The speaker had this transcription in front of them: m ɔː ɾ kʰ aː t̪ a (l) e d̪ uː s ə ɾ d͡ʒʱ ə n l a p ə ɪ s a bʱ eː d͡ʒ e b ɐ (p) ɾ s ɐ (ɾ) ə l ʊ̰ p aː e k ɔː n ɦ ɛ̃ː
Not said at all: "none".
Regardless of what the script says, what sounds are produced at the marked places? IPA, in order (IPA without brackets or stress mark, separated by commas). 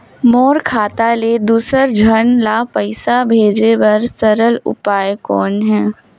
l, none, ɾ